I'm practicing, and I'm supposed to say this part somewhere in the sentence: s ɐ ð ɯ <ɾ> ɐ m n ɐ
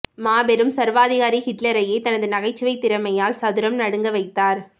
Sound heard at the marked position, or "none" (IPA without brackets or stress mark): ɾ